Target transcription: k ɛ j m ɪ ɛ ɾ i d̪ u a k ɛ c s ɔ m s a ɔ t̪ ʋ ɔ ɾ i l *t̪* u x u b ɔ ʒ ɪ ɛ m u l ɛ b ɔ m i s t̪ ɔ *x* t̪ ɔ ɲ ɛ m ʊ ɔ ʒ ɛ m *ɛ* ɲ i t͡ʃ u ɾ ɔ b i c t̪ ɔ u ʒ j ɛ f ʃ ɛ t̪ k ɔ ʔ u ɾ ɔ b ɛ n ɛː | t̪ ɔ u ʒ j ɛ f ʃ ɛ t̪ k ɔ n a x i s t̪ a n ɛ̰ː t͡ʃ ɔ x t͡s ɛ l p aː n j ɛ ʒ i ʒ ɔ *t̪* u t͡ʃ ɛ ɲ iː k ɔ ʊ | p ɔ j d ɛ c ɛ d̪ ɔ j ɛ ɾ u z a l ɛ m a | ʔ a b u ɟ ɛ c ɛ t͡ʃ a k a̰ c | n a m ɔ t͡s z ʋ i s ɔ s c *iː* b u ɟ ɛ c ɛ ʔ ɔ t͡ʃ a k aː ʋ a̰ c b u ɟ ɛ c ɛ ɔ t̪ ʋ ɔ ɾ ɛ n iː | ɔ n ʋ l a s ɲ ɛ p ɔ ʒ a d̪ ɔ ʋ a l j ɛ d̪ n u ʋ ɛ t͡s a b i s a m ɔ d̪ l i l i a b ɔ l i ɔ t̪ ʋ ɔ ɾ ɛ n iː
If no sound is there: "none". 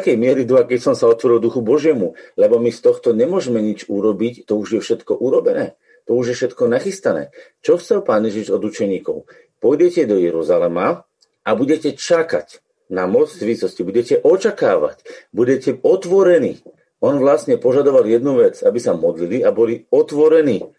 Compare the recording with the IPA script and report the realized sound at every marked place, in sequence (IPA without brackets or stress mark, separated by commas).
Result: d̪, x, ɛ, d̪, i